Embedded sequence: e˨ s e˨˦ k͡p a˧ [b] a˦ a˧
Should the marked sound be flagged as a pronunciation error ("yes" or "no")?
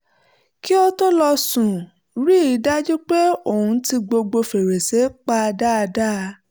yes